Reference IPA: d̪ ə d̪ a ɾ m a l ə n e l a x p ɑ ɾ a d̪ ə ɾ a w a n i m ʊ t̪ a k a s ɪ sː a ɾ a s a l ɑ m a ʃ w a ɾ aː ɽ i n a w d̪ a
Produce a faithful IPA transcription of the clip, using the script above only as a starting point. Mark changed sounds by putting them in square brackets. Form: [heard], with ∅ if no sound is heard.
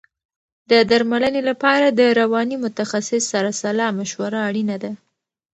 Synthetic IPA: d̪ ə d̪ a ɾ m a l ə n e l a [∅] p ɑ ɾ a d̪ ə ɾ a w [ɑ] n i m ʊ t̪ a [x] a s ɪ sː a ɾ a s a l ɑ m a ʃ w a ɾ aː ɽ i n a [∅] d̪ a